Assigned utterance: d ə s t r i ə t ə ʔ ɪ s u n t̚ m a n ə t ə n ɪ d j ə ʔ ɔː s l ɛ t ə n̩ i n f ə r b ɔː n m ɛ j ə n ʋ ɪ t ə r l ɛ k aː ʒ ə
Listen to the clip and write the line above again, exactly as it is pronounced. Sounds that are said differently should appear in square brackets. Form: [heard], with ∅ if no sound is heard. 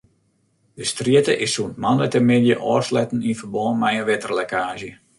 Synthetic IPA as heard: d ə s t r i ə t ə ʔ ɪ s u n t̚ m a n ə t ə [m] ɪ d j ə ʔ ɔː s l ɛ t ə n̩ i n f ə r b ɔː n m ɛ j ə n ʋ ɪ t ə r l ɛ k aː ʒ ə